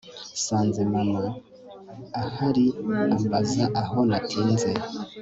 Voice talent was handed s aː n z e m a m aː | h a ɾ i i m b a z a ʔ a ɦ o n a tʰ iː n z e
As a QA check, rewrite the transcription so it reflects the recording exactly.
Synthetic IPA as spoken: s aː n z e m a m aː | h a ɾ i a m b a z a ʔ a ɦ o n a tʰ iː n z e